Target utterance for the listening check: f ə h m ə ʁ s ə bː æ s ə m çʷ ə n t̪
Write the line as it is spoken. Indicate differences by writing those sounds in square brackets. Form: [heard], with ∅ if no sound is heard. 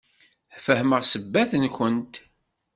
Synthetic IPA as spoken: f ə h m ə ʁ s ə bː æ [θ] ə [n] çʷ ə n t̪